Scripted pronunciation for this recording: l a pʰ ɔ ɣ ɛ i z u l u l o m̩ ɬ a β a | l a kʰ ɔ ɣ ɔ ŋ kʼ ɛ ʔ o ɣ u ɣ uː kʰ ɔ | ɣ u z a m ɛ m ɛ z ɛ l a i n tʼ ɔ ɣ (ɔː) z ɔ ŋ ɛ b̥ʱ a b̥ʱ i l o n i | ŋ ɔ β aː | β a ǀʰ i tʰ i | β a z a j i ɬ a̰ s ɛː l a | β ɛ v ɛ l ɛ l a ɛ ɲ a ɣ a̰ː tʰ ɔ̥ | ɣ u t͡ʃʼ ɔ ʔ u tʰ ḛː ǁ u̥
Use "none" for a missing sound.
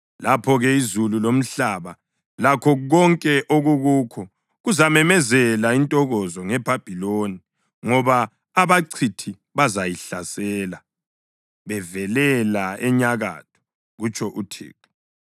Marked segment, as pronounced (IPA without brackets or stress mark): ɔ